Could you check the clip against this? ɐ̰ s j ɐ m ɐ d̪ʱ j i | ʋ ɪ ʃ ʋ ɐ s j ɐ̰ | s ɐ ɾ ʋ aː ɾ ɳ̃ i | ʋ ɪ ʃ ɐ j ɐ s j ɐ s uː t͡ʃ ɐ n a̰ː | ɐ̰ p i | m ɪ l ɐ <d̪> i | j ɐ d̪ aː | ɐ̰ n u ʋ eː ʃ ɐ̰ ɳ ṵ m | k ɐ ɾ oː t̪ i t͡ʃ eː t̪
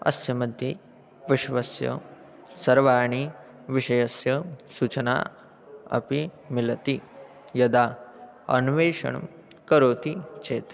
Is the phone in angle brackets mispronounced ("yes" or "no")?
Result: yes